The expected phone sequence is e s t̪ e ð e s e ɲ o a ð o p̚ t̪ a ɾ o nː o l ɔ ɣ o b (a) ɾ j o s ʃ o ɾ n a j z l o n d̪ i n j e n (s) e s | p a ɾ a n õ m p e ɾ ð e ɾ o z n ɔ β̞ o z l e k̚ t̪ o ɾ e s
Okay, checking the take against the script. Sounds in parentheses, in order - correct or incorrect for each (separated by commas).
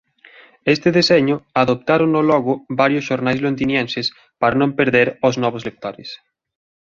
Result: correct, correct